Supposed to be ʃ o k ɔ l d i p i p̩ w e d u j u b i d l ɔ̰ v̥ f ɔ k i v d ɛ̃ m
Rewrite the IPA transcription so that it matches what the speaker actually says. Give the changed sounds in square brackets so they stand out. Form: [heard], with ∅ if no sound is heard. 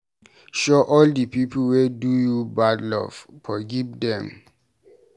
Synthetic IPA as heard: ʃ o [ʔ] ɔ l d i p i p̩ w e d u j u b [a] d l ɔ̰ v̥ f ɔ [ɡ] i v d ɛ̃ m